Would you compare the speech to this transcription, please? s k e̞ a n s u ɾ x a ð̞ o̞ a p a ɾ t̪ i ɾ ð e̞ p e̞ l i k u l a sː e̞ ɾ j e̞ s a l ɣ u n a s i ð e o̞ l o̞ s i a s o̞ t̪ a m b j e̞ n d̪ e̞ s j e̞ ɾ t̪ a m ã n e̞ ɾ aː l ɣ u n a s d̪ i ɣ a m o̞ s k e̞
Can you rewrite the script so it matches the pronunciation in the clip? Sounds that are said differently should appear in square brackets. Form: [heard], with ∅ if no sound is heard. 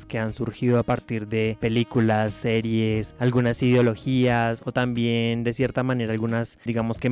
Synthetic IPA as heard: s k e̞ a n s u ɾ x [i] ð̞ o̞ a p a ɾ t̪ i ɾ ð e̞ p e̞ l i k u l a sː e̞ ɾ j e̞ s a l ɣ u n a s i ð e o̞ l o̞ [x] i a s o̞ t̪ a m b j e̞ n d̪ e̞ s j e̞ ɾ t̪ a m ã n e̞ ɾ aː l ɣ u n a s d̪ i ɣ a m o̞ s k e̞